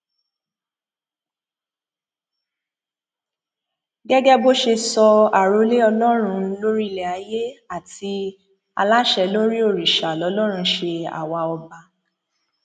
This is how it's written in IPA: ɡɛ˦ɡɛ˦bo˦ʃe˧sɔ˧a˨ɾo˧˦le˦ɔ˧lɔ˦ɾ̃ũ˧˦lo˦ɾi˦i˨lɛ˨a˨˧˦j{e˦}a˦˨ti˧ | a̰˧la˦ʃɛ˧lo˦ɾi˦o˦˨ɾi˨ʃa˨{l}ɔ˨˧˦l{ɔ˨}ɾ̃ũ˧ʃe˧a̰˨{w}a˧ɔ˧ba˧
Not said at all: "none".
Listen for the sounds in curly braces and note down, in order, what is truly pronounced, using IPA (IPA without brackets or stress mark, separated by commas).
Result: e˦, l, ɔ˦, w